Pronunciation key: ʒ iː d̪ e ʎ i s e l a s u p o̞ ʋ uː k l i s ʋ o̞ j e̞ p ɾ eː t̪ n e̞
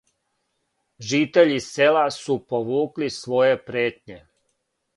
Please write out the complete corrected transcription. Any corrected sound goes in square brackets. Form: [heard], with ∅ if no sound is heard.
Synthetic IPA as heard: ʒ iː [t̪] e ʎ i s e l a s u p o̞ ʋ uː k l i s ʋ o̞ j e̞ p ɾ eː t̪ [ɲ] e̞